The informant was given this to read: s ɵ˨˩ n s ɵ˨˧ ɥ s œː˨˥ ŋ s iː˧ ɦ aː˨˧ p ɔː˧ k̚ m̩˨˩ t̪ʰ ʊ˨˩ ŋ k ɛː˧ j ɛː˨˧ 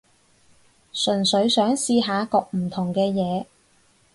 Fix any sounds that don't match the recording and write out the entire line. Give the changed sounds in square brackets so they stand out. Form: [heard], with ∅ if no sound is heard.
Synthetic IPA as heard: s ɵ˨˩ n s ɵ˨˧ ɥ s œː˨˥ ŋ s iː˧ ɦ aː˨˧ [k] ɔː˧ k̚ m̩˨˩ t̪ʰ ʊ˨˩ ŋ k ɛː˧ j ɛː˨˧

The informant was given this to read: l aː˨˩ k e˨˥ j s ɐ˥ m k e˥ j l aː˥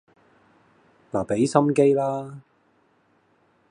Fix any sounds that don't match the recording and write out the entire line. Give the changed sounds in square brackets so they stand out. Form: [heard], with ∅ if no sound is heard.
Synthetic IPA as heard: l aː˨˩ [p] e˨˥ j s ɐ˥ m k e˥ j l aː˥

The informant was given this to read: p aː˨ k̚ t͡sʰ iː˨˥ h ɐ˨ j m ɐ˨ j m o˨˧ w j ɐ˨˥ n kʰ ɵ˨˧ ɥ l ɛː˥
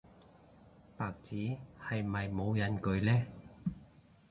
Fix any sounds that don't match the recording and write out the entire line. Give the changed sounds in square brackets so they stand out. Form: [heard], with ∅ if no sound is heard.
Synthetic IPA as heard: p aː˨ k̚ [t͡s] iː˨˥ h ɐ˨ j m ɐ˨ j m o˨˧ w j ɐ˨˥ n [k] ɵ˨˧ ɥ l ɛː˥

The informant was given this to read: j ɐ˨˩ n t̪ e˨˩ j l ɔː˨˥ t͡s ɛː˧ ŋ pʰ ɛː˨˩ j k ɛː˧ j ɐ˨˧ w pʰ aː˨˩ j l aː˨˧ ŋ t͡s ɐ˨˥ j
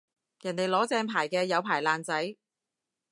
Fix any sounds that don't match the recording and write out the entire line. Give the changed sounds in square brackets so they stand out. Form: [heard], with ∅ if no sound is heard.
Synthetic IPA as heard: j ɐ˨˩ n t̪ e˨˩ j l ɔː˨˥ t͡s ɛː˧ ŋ pʰ [aː˨˩] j k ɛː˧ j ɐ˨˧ w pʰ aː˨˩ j l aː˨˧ [n] t͡s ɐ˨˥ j

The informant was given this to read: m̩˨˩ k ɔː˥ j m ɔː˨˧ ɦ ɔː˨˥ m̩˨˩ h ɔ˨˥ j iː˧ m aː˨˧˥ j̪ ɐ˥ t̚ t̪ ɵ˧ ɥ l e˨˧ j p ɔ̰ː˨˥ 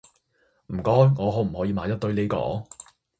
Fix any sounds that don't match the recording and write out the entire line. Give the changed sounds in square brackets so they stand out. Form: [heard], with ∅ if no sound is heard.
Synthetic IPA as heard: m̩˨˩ k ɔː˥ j [ŋ] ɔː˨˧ ɦ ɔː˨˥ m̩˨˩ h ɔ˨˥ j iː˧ m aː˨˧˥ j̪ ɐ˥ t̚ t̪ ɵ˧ ɥ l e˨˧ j [k] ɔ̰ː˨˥

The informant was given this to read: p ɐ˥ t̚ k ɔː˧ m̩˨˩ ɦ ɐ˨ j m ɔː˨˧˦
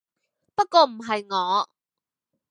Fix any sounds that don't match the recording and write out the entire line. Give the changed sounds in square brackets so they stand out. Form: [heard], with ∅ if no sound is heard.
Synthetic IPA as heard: p ɐ˥ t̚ k ɔː˧ m̩˨˩ ɦ ɐ˨ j [ŋ] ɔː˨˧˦

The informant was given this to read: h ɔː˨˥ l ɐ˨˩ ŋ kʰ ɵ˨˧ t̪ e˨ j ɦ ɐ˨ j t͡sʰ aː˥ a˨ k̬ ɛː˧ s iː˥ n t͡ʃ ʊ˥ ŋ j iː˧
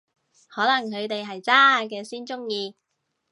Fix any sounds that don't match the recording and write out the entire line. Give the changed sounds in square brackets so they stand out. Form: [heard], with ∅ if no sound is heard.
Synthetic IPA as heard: h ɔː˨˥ l ɐ˨˩ ŋ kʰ ɵ˨˧ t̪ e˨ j ɦ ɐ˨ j [t͡s] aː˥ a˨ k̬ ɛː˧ s iː˥ n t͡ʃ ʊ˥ ŋ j iː˧

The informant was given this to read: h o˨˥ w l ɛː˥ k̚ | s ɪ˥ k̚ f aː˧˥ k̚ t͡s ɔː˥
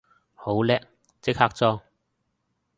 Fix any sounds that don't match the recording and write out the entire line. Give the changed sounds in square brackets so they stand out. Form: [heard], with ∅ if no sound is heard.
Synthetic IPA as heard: h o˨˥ w l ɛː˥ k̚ | [t͡s] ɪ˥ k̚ [h] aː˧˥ k̚ t͡s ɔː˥

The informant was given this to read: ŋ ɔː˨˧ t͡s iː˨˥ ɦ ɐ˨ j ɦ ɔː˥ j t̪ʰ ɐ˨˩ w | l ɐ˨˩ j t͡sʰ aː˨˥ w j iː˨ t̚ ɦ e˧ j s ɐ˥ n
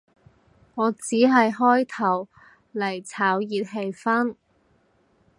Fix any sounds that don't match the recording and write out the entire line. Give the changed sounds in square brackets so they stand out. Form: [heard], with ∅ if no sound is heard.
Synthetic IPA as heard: ŋ ɔː˨˧ t͡s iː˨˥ ɦ ɐ˨ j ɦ ɔː˥ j t̪ʰ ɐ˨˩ w | l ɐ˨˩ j t͡sʰ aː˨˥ w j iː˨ t̚ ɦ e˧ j [f] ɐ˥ n

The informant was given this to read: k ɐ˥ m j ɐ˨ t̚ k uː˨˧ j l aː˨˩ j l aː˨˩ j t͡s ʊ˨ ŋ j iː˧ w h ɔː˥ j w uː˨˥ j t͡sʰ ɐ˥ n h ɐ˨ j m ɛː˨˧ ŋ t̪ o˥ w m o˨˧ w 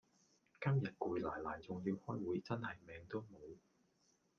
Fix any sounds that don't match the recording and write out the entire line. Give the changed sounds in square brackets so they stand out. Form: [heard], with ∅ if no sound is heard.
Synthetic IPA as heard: k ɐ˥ m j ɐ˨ t̚ k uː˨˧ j l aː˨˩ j l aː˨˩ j t͡s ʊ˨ ŋ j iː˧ w h ɔː˥ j w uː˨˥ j [t͡s] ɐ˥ n h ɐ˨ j m ɛː˨˧ ŋ t̪ o˥ w m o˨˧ w

